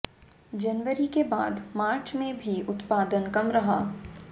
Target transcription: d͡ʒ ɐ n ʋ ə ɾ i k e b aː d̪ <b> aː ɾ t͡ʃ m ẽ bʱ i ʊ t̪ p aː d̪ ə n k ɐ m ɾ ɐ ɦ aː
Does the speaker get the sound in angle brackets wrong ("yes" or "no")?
yes